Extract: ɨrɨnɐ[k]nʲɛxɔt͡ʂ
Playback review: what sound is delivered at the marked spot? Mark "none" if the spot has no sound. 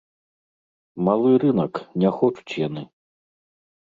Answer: k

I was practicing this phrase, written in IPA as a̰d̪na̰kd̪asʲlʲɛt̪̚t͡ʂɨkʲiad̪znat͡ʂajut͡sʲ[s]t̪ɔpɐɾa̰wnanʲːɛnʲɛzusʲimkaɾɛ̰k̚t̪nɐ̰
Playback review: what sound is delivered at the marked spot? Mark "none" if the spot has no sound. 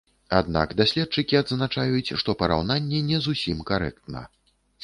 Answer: ʂ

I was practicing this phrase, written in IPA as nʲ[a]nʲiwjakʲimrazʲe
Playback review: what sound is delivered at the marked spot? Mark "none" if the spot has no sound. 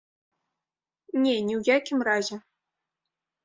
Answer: e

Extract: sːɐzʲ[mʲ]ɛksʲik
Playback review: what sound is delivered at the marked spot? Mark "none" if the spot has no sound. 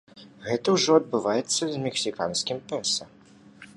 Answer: mʲ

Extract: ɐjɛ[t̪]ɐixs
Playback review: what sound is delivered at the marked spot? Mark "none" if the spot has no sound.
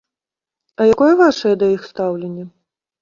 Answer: d̪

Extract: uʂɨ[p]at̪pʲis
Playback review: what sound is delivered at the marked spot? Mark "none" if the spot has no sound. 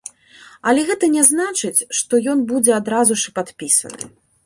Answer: p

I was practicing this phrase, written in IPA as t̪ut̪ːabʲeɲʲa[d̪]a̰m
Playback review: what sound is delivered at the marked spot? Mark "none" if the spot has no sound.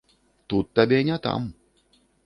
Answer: t̪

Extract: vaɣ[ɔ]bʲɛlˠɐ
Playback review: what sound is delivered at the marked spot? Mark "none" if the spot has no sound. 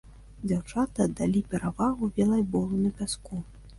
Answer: u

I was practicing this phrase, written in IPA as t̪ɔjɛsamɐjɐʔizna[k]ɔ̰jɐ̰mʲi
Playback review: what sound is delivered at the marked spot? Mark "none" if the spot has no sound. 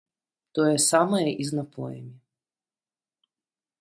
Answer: p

